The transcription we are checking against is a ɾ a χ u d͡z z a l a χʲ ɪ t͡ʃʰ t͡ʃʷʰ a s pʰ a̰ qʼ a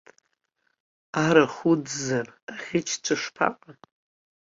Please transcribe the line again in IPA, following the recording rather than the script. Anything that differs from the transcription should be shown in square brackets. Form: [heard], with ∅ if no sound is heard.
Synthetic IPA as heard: a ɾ a χ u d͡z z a [r] a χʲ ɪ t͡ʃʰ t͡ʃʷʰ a [ʂ] pʰ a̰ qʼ a